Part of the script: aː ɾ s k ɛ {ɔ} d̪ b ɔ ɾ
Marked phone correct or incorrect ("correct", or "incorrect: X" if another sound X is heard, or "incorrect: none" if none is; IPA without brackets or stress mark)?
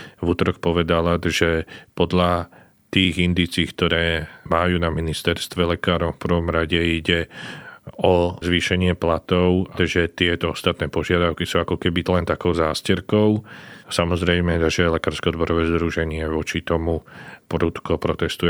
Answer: correct